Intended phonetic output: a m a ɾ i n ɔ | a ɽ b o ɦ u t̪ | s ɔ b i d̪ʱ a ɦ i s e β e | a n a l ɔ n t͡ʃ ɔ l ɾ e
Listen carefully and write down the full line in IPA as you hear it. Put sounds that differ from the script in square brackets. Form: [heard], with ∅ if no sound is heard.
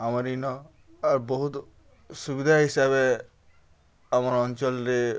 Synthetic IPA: a m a ɾ i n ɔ | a [ɾ] b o ɦ u t̪ | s [u] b i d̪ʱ a ɦ i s [a] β e | a [m] a [ɾ] ɔ n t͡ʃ ɔ l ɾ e